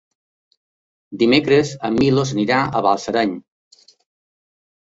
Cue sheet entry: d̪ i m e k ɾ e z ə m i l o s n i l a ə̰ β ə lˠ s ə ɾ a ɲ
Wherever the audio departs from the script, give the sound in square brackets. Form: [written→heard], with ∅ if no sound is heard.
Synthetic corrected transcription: d̪ i m e k ɾ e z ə m i l o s n i [l→ɾ] a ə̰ β [ə→a] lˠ s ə ɾ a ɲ

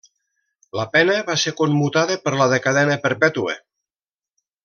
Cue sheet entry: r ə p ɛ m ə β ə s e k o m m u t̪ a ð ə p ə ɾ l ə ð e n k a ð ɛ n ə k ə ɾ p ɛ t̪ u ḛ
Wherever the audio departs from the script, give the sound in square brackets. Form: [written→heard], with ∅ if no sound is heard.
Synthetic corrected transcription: [r→l] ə p ɛ [m→n] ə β [ə→a] s e k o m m u t̪ a ð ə p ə ɾ l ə ð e [n→∅] k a ð ɛ n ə [k→p] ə ɾ p ɛ t̪ u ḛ

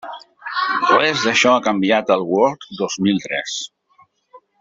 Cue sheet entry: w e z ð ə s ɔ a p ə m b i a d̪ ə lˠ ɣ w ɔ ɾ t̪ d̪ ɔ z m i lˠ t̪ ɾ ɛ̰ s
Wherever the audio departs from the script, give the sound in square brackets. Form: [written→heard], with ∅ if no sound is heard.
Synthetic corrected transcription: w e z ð ə [s→ʃ] ɔ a [p→k] ə m b i a [d̪→t̪] ə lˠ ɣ w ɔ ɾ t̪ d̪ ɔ z m i lˠ t̪ ɾ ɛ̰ s

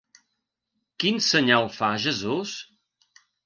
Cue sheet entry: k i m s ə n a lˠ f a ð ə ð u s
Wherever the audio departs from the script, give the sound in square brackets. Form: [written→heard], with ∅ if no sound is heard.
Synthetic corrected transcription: k i [m→n] s ə [n→ɲ] a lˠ f a [ð→ʒ] ə [ð→z] u s

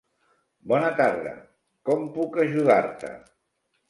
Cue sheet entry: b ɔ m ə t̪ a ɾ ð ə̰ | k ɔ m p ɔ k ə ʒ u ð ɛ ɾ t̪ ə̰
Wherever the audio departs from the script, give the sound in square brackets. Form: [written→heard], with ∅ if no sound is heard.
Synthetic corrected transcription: b ɔ [m→n] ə t̪ a ɾ ð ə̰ | k ɔ m p [ɔ→u] k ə ʒ u ð [ɛ→a] ɾ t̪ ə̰

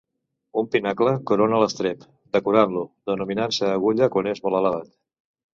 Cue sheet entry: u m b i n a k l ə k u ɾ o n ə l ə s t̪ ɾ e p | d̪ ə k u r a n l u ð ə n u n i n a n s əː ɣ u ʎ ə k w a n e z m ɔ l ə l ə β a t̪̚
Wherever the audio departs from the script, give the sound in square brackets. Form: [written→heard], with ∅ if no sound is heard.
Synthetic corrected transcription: u m [b→p] i n a k l ə k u ɾ o n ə l ə s t̪ ɾ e p | d̪ ə k u [r→ɾ] a n l u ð ə n u [n→m] i n a n s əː ɣ u ʎ ə k w a n e z m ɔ l ə l ə β a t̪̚

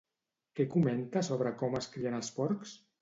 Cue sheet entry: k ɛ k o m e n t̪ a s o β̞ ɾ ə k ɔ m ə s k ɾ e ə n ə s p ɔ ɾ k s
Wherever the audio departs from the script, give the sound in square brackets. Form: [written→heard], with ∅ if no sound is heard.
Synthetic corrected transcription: k ɛ k [o→u] m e n t̪ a s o β̞ ɾ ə k ɔ m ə s k ɾ [e→i] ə n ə s p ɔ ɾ k s

